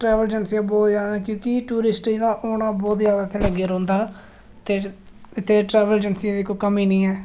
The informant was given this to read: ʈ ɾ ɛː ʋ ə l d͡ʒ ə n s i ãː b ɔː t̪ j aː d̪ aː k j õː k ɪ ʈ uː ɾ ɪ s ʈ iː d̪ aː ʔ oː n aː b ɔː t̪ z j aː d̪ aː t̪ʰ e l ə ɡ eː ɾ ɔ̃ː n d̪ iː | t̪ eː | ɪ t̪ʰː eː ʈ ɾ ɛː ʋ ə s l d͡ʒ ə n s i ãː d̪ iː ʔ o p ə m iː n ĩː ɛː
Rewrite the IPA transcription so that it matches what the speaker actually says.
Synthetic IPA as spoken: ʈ ɾ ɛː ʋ ə l d͡ʒ ə n s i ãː b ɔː t̪ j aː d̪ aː k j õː k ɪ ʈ uː ɾ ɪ s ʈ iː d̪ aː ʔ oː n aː b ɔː t̪ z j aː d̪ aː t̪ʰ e l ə ɡ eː ɾ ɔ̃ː n d̪ aː | t̪ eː | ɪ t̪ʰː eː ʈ ɾ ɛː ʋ ə l d͡ʒ ə n s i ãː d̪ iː k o k ə m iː n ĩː ɛː

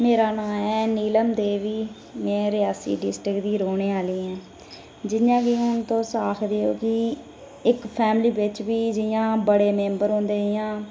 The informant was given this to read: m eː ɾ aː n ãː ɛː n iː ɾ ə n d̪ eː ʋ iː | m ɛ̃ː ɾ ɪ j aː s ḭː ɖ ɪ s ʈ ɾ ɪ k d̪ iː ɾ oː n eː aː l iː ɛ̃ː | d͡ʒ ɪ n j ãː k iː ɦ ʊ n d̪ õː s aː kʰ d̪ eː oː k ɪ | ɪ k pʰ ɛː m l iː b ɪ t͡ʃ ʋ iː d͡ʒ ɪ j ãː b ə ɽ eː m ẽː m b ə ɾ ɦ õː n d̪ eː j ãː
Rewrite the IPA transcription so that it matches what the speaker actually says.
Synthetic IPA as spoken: m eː ɾ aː n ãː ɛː n iː l ə m d̪ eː ʋ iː | m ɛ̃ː ɾ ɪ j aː s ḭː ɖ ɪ s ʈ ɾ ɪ k d̪ iː ɾ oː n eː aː l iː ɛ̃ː | d͡ʒ ɪ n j ãː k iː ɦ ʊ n t̪ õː s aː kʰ d̪ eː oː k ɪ | ɪ k pʰ ɛː m l iː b ɪ t͡ʃ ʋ iː d͡ʒ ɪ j ãː b ə ɽ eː m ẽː m b ə ɾ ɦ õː n d̪ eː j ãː

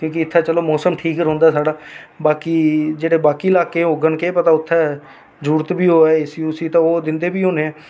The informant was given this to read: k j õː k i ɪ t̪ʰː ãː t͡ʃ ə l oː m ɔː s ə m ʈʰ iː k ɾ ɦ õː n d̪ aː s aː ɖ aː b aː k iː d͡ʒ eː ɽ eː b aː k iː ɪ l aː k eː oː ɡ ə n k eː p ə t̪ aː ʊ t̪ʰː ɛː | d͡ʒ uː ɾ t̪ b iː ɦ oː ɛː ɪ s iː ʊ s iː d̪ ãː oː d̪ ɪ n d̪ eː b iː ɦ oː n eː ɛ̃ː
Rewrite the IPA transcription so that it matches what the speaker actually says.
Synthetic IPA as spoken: k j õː k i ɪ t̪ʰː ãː t͡ʃ ə l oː m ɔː s ə m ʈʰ iː k ɾ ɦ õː n d̪ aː s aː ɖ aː b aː k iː d͡ʒ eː ɽ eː b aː k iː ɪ l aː k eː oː ɡ ə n k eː p ə t̪ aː ʊ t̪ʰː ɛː | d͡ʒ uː ɾ t̪ b iː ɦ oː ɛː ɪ s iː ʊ s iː t̪ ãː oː d̪ ɪ n d̪ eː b iː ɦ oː n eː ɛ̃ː

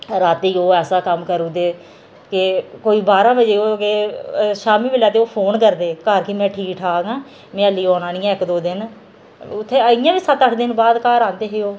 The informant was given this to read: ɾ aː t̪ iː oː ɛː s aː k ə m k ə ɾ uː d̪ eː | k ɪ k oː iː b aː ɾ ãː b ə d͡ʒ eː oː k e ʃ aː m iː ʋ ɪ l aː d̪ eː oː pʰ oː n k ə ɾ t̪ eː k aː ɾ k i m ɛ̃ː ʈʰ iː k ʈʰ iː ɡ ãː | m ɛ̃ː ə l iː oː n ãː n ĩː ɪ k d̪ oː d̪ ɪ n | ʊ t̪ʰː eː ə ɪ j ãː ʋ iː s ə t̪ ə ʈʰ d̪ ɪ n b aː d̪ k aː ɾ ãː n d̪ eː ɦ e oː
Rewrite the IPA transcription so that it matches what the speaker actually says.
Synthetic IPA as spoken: ɾ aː t̪ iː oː ɛː s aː k ə m k ə ɾ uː d̪ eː | k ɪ k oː iː b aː ɾ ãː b ə d͡ʒ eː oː k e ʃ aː m iː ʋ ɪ l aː t̪ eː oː pʰ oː n k ə ɾ d̪ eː k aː ɾ k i m ɛ̃ː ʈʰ iː k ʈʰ aː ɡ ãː | m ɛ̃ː ə l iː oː n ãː n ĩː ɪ k d̪ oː d̪ ɪ n | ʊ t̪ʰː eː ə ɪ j ãː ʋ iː s ə t̪ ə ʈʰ d̪ ɪ n b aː d̪ k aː ɾ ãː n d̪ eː ɦ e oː

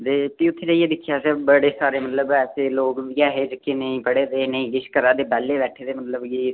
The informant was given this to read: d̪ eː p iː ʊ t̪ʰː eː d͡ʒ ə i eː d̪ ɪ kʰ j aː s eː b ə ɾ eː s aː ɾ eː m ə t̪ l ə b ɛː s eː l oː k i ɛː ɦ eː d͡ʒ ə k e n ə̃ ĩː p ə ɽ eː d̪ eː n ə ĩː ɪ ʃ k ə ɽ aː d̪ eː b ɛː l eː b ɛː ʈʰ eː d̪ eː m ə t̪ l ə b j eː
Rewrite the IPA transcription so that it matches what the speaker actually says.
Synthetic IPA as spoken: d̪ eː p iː ʊ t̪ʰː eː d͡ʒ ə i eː d̪ ɪ kʰ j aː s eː b ə ɽ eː s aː ɾ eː m ə t̪ l ə b ɛː s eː l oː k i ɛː ɦ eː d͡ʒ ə k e n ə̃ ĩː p ə ɽ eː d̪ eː n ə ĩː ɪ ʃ k ə ɾ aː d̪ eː b ɛː l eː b ɛː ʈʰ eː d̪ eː m ə t̪ l ə b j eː

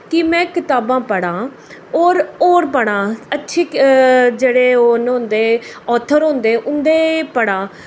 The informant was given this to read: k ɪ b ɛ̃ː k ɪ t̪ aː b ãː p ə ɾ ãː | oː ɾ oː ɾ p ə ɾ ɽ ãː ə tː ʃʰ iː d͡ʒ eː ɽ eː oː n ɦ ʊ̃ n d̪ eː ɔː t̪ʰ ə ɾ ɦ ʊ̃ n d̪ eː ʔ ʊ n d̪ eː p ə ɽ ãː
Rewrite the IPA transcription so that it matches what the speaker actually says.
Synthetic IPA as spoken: k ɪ m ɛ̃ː k ɪ t̪ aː b ãː p ə ɽ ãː | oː ɾ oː ɾ p ə ɽ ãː ə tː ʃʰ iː d͡ʒ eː ɽ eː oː n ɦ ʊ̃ n d̪ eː ɔː t̪ʰ ə ɾ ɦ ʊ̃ n d̪ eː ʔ ʊ n d̪ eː p ə ɽ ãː

